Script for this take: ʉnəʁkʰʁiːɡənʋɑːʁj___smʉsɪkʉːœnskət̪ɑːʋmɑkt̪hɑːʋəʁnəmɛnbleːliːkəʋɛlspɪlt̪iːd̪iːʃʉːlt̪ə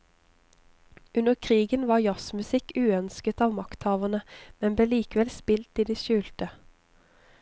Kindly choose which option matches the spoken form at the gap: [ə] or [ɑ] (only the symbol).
ɑ